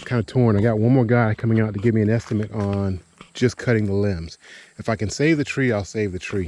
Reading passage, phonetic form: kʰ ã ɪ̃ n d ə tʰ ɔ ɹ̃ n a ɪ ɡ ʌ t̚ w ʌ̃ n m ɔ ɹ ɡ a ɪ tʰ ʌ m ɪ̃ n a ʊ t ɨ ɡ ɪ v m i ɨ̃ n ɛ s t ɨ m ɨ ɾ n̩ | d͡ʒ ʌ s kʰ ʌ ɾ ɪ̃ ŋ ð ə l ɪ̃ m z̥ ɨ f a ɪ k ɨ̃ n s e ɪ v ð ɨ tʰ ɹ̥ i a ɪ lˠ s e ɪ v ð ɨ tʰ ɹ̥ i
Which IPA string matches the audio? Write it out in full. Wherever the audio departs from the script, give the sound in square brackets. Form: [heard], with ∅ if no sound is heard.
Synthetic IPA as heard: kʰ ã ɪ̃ n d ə tʰ ɔ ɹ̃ n a ɪ ɡ [ɑ] t̚ w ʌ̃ n m ɔ ɹ ɡ a ɪ [kʰ] ʌ m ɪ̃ [ŋ] a ʊ t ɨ ɡ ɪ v m i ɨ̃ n ɛ s t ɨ m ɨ ɾ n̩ | d͡ʒ ʌ s kʰ ʌ ɾ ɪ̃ ŋ ð ə l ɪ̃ m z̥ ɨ f a ɪ k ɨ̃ n s e ɪ v ð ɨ tʰ ɹ̥ i a ɪ lˠ s e ɪ v ð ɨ tʰ ɹ̥ i